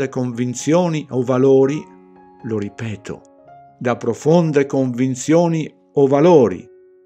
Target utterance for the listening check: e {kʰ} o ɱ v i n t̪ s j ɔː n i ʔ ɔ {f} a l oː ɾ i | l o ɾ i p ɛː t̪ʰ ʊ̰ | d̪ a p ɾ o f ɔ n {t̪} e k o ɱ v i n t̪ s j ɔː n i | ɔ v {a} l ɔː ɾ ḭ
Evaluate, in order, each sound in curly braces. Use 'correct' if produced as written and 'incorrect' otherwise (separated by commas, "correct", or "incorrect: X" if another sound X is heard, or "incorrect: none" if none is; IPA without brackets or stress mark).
incorrect: k, incorrect: v, incorrect: d̪, correct